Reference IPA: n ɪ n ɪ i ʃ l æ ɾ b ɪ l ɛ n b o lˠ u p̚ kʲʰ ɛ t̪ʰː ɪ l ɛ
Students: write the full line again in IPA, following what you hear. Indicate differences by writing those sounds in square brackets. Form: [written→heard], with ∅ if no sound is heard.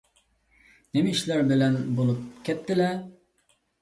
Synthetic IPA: n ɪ [n→m] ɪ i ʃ l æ ɾ b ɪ l ɛ n b o lˠ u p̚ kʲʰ ɛ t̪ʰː ɪ l ɛ